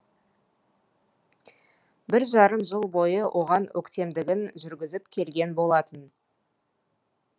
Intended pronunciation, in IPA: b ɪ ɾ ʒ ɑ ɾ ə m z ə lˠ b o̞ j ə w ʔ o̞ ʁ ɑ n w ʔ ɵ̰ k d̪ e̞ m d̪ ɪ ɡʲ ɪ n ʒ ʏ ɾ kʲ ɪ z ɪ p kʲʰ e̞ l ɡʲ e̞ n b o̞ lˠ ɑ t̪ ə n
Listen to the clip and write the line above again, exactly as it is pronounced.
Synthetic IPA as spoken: b ɪ ɾ ʒ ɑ ɾ ə m ʒ ə lˠ b o̞ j ə w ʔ o̞ ʁ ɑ n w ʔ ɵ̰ k t̪ e̞ m d̪ ɪ ɡʲ ɪ n ʒ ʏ ɾ ɡʲ ɪ z ɪ p kʲʰ e̞ l ɡʲ e̞ n b o̞ lˠ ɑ t̪ ə n